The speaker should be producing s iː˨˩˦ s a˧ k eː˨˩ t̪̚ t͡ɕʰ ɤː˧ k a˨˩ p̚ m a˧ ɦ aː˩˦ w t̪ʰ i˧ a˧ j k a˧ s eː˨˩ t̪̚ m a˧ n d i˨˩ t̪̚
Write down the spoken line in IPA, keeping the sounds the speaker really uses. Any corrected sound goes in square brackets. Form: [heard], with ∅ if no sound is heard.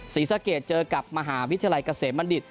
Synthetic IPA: s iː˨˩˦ s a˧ k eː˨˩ t̪̚ [t͡ɕ] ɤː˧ k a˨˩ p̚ m a˧ ɦ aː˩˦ w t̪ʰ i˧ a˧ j k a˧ s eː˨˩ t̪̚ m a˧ n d i˨˩ t̪̚